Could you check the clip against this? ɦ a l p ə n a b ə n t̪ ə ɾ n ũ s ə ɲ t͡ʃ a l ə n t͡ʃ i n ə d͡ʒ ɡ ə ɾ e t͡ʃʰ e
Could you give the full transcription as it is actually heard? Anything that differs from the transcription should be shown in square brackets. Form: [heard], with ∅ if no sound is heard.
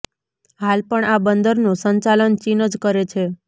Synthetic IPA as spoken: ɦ a l p ə [ɳ] a b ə n [d̪] ə ɾ n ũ s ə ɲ t͡ʃ a l ə n t͡ʃ i n ə d͡ʒ [k] ə ɾ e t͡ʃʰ e